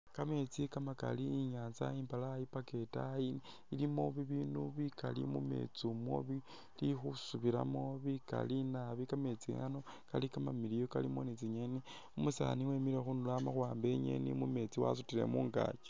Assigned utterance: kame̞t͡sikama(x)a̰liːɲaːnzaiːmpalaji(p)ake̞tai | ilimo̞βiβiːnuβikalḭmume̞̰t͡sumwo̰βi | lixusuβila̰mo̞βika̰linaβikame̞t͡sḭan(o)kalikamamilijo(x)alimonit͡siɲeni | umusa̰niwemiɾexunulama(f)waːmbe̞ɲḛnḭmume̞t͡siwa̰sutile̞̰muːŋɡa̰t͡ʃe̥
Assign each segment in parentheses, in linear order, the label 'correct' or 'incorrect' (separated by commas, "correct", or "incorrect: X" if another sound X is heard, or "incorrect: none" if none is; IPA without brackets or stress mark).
incorrect: k, correct, correct, incorrect: k, incorrect: x